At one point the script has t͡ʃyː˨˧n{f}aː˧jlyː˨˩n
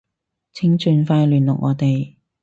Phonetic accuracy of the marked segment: correct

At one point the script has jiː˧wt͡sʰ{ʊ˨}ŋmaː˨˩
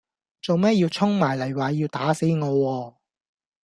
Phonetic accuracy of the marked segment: incorrect: ʊ˥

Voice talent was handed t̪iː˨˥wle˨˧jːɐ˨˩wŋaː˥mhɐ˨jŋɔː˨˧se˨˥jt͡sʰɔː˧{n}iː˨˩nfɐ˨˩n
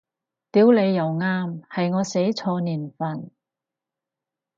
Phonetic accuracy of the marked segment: correct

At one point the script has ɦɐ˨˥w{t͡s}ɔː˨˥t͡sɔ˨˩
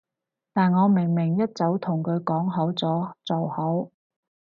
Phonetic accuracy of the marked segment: correct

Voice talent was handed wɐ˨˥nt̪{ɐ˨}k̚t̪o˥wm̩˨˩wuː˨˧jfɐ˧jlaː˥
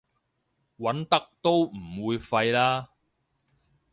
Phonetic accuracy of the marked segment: incorrect: ɐ˥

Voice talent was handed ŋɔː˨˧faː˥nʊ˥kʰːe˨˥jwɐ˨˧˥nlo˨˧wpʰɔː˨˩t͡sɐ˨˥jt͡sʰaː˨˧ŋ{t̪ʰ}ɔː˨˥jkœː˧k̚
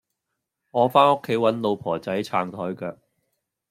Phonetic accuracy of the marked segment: correct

